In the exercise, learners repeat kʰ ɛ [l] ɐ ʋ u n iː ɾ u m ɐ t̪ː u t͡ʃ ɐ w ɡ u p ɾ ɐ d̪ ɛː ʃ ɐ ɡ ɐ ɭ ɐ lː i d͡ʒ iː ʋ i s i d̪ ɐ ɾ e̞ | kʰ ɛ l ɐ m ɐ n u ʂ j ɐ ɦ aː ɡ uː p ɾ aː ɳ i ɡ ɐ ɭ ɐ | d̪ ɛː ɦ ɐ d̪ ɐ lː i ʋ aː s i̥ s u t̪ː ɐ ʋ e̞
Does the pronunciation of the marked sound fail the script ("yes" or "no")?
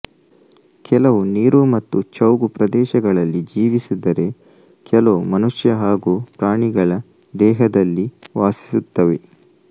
no